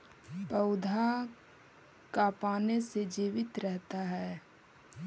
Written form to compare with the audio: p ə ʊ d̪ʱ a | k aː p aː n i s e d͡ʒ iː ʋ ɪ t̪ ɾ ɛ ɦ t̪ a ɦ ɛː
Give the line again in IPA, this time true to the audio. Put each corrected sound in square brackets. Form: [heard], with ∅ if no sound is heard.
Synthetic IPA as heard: p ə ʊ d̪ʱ a | k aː p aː n [e] s e d͡ʒ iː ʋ ɪ t̪ ɾ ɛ ɦ t̪ a ɦ ɛː